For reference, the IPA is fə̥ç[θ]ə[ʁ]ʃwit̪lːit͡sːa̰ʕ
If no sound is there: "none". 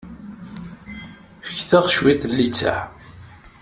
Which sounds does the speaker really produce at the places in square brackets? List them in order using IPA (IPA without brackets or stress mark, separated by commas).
θ, ʁ